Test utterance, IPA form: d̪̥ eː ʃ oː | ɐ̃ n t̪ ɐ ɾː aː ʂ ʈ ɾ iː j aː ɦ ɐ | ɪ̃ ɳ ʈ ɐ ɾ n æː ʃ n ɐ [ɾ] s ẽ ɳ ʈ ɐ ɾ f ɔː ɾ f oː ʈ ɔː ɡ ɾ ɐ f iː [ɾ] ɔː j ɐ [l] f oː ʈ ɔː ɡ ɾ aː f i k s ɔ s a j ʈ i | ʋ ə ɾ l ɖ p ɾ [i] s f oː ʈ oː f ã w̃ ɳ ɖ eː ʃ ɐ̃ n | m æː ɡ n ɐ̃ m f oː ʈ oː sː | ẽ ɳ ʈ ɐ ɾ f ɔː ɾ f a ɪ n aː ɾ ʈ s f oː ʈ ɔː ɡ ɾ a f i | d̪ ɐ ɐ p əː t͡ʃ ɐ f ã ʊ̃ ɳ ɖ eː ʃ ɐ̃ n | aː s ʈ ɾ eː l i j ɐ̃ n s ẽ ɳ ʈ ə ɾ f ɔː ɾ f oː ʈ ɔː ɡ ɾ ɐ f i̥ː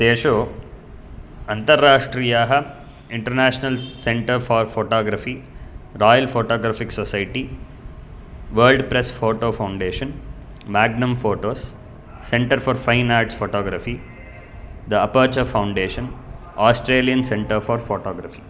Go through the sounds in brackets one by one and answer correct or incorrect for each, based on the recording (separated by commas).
incorrect, correct, correct, incorrect